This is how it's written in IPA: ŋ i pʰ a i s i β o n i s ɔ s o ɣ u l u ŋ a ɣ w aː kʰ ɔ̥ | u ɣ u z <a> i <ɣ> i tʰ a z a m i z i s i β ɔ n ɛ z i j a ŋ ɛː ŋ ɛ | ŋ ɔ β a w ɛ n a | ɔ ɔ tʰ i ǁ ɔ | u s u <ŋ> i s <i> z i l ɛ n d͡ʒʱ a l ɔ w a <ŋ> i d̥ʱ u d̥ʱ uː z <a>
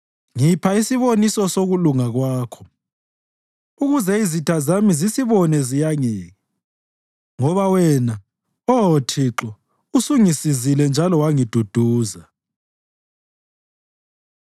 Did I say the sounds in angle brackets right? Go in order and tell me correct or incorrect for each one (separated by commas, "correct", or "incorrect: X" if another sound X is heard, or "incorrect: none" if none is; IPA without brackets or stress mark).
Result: incorrect: ɛ, incorrect: z, correct, correct, correct, correct